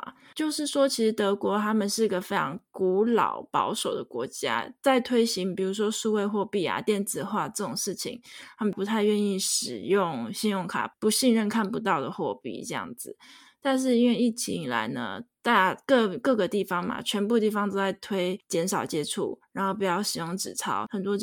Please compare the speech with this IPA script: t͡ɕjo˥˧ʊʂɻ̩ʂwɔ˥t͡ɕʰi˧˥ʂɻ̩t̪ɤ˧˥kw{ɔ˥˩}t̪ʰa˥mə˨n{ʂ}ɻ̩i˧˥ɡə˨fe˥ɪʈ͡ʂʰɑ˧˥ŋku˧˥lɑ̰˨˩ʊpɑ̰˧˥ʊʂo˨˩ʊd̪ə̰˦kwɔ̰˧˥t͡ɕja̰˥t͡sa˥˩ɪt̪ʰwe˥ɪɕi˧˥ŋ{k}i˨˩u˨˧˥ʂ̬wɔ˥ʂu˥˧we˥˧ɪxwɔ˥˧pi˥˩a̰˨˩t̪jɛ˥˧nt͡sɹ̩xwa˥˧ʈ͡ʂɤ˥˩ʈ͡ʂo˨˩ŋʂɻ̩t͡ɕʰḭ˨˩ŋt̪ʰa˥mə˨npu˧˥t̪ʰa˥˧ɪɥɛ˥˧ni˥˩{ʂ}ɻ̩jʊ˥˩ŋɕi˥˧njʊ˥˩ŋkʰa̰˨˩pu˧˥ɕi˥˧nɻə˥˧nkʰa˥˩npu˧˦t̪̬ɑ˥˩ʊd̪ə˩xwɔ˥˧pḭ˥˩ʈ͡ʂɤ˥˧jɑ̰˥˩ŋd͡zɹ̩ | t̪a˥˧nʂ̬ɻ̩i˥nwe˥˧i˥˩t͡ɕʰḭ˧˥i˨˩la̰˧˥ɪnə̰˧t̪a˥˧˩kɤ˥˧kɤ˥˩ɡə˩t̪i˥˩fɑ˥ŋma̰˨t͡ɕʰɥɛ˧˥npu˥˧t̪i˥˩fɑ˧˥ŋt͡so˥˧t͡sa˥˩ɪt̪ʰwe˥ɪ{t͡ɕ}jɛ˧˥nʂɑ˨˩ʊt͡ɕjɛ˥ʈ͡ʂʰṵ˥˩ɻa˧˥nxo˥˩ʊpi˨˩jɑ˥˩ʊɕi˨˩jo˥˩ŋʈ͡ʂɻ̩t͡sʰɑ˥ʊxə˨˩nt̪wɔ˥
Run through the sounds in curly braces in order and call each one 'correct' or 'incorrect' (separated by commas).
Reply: incorrect, correct, incorrect, correct, correct